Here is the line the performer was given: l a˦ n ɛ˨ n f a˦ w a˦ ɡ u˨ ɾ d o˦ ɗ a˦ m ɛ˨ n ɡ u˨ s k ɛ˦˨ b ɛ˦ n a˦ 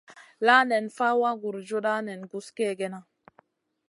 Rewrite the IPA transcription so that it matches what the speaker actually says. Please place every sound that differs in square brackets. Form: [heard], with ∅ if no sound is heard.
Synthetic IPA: l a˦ n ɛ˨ n f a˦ w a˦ ɡ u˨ ɾ [d͡ʒ] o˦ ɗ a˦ [n] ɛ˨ n ɡ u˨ s k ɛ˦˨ [ɡ] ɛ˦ n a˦